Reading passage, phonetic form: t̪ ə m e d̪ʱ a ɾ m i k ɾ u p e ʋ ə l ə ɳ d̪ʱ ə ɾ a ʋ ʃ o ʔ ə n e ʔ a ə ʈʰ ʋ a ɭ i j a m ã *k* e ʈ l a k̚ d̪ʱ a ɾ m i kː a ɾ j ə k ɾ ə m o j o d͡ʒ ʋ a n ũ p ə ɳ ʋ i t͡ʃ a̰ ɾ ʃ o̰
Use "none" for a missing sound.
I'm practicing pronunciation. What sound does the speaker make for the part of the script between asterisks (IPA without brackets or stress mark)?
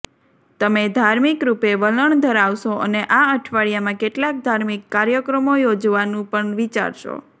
k